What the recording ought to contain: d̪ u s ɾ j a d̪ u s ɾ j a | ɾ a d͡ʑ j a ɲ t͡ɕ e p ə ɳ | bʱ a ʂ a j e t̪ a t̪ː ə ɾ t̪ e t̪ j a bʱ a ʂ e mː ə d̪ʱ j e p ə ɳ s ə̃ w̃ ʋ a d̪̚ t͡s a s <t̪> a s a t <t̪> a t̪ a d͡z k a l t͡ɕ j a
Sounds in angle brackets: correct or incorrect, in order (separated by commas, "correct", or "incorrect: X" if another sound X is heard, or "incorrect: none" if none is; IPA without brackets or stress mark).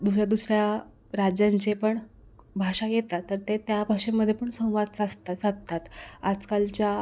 correct, correct